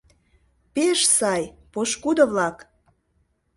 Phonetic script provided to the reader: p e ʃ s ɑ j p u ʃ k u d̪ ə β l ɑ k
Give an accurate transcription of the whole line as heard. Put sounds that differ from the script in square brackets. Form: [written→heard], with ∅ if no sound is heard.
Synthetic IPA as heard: p e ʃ s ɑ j p [u→o] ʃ k u d̪ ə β l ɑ k